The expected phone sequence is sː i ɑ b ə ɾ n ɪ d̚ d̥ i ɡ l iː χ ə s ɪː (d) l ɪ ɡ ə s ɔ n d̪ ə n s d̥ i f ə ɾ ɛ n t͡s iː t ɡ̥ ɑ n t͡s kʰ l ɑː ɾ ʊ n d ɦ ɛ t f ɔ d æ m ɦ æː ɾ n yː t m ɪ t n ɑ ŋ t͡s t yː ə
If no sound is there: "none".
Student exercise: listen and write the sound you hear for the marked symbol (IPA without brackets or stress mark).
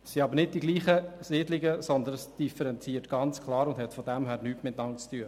d